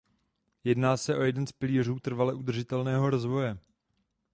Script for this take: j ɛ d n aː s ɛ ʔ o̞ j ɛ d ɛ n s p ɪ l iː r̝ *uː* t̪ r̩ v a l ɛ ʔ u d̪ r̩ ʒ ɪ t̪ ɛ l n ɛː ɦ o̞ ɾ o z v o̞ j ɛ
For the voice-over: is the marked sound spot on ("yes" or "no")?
yes